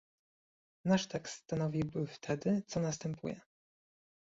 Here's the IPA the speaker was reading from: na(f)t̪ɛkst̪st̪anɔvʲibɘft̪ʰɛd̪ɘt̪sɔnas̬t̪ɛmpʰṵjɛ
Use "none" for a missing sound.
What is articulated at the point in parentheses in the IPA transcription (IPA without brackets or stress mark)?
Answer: ʂ